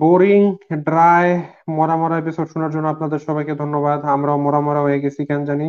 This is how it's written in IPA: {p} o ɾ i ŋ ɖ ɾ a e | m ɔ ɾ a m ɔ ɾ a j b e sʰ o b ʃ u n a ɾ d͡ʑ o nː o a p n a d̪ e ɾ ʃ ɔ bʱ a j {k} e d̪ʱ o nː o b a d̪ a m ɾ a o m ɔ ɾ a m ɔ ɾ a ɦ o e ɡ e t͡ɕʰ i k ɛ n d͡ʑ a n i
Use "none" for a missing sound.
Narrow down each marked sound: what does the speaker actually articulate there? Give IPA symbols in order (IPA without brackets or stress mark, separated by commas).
b, k